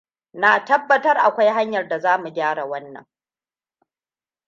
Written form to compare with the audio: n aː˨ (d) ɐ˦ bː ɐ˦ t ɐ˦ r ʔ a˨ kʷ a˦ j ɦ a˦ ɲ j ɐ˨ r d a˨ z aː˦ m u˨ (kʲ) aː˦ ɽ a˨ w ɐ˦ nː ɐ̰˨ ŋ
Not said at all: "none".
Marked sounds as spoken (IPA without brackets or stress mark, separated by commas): t, ɡʲ